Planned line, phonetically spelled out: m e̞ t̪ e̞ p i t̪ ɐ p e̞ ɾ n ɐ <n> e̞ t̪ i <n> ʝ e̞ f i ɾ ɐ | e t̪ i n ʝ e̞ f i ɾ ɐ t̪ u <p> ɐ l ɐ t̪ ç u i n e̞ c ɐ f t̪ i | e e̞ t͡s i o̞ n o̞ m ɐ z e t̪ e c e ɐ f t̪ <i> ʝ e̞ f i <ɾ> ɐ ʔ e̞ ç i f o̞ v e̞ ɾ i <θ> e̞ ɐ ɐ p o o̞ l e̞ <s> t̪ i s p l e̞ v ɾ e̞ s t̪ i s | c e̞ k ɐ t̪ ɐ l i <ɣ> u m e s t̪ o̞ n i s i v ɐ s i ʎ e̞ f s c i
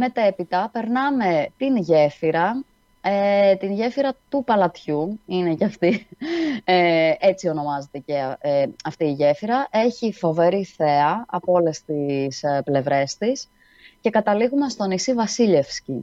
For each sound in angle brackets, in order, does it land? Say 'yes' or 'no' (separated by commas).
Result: no, yes, yes, no, yes, yes, yes, yes